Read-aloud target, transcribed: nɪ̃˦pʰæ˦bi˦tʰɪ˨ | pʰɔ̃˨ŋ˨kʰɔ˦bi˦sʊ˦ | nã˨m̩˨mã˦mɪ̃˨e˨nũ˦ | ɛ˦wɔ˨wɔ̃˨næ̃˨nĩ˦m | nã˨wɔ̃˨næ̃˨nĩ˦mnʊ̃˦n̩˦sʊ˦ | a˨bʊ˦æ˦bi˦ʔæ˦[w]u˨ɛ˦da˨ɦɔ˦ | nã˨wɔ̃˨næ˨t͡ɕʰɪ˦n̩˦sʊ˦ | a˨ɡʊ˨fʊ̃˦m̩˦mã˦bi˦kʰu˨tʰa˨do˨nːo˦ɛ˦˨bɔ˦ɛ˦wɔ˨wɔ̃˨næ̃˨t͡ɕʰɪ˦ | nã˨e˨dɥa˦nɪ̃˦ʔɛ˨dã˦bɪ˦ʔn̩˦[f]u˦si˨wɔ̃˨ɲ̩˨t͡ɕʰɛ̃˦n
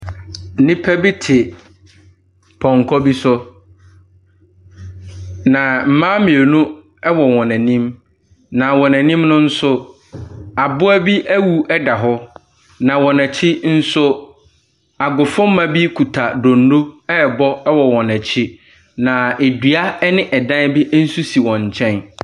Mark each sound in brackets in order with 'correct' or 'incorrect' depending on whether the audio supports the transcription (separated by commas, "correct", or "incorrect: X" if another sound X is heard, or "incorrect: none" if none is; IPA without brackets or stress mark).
correct, incorrect: s